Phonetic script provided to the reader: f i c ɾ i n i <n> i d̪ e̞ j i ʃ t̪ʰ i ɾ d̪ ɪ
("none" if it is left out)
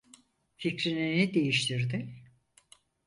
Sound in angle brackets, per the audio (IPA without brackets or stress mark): n